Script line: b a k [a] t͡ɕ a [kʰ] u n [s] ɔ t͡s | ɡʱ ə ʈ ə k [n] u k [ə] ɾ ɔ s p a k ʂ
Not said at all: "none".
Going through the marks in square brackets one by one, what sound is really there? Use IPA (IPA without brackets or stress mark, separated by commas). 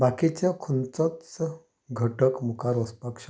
i, kʰ, t͡s, m, a